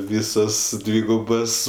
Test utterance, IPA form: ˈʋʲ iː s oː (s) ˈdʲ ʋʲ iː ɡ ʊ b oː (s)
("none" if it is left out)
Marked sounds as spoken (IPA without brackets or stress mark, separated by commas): s, s